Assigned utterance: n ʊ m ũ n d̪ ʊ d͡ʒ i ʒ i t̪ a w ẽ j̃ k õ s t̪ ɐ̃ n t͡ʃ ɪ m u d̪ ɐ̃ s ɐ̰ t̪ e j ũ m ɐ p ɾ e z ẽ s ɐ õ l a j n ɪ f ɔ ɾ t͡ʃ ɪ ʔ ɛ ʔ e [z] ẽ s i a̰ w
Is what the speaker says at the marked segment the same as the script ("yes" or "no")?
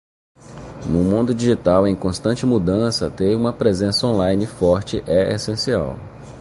no